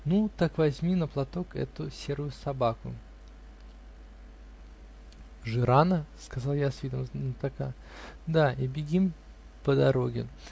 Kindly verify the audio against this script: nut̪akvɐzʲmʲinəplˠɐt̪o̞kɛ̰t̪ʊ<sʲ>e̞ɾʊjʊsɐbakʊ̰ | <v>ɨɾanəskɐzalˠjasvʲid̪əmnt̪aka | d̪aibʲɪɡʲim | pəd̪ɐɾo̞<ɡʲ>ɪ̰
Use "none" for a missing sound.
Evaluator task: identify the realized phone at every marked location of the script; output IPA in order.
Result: sʲ, ʐ, ɡʲ

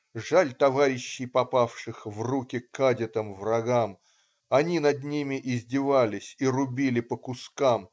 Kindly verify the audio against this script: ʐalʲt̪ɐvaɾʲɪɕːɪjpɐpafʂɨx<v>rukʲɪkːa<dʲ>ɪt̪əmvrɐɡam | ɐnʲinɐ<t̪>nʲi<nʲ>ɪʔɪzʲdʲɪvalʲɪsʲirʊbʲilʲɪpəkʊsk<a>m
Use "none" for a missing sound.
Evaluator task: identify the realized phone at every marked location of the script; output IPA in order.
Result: v, dʲ, d̪, mʲ, a

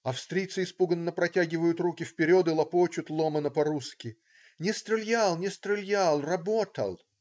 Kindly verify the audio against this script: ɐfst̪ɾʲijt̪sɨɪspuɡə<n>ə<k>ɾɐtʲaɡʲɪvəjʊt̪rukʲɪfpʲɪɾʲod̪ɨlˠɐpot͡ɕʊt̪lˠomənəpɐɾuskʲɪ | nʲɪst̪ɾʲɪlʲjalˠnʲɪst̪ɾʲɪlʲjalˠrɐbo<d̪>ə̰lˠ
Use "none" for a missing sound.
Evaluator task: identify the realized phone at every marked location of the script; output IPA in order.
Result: nː, p, t̪

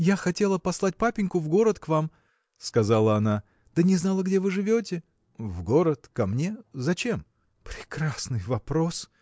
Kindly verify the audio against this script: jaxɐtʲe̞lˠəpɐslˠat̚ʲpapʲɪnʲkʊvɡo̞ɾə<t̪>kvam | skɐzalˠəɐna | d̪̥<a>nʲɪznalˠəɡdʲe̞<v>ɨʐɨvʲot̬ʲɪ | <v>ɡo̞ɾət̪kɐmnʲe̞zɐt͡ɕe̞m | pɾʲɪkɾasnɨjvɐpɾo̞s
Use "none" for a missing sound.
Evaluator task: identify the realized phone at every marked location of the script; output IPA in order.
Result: t̪, ə, v, v

